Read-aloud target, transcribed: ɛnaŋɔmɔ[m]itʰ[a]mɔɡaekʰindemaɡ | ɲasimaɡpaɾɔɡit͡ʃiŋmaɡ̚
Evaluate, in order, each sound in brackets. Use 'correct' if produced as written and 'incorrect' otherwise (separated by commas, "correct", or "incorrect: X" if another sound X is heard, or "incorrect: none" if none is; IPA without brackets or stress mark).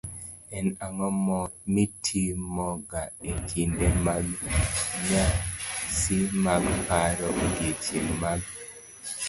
correct, incorrect: i